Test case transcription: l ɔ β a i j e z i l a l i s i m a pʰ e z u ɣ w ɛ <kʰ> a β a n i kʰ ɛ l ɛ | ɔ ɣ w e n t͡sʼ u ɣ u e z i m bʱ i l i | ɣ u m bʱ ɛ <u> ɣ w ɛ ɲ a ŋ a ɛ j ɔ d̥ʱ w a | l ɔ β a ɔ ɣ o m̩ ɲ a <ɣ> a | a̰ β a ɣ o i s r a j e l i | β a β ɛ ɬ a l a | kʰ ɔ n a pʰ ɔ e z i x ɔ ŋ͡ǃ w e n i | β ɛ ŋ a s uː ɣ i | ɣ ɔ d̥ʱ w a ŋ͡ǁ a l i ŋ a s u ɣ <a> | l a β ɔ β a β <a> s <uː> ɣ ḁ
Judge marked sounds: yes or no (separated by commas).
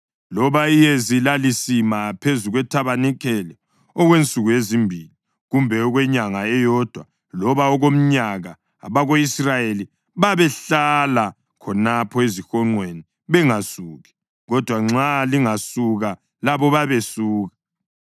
no, no, yes, yes, no, yes